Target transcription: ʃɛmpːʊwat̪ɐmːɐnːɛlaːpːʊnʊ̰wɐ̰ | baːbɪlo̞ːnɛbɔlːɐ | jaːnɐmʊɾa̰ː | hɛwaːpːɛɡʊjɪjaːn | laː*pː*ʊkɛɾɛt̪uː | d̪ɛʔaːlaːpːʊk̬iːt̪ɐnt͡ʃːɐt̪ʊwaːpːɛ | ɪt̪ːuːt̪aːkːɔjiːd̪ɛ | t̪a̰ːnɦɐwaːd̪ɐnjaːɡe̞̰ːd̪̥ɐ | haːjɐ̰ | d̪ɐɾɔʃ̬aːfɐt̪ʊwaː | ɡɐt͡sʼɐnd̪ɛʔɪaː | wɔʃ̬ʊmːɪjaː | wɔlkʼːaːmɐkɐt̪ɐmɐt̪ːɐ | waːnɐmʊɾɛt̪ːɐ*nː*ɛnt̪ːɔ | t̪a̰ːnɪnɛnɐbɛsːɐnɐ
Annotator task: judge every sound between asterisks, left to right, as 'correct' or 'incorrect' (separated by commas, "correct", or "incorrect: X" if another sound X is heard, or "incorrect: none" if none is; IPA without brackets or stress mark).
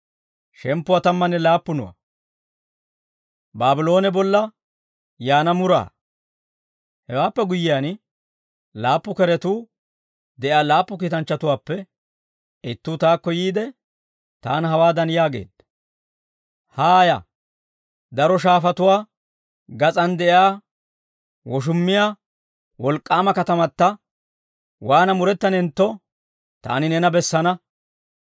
correct, incorrect: n